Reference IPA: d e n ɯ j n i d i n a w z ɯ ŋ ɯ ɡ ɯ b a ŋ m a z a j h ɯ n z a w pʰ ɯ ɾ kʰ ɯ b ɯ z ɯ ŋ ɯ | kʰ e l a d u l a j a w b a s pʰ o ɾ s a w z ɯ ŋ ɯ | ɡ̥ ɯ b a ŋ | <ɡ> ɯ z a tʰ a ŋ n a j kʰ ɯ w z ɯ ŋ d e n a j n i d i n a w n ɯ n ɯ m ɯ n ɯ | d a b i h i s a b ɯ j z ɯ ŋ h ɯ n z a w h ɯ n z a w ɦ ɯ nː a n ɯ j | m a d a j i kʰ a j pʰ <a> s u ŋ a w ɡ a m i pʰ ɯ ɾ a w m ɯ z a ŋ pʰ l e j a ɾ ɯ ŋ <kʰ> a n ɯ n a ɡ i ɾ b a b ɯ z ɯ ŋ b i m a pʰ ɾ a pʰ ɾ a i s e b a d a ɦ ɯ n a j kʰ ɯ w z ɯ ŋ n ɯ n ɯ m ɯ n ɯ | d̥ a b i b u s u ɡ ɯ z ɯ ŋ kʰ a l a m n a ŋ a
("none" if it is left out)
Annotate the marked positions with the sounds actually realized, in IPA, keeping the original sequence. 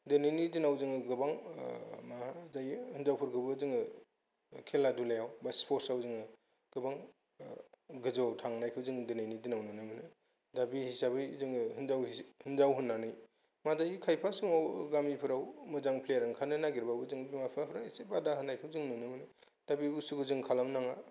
ɡ, a, kʰ

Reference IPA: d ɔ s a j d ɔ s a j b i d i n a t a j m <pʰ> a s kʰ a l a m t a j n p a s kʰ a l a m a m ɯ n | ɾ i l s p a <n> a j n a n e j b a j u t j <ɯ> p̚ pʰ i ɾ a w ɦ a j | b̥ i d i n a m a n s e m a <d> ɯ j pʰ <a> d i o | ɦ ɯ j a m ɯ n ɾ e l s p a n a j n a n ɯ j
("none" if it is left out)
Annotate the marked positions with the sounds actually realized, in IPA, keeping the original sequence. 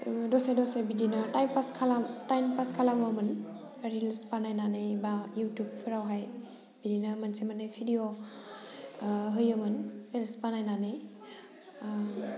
p, n, u, n, i

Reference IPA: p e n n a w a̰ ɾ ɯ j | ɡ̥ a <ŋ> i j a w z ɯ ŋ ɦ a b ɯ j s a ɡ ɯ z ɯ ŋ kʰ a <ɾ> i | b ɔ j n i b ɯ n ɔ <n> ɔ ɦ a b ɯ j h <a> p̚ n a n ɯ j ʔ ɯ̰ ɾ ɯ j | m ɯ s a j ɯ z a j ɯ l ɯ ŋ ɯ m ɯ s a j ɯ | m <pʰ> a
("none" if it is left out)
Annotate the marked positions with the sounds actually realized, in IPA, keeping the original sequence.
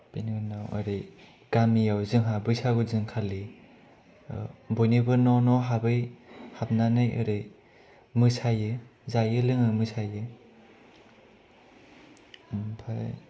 m, l, n, a, pʰ

